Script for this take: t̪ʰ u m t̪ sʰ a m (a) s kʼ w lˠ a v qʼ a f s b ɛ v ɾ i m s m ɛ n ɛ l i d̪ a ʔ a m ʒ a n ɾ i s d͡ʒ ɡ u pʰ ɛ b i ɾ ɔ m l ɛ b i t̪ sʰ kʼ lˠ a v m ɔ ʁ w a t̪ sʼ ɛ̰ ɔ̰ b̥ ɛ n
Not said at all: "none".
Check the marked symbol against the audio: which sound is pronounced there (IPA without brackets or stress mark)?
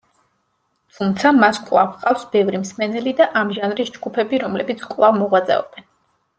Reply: a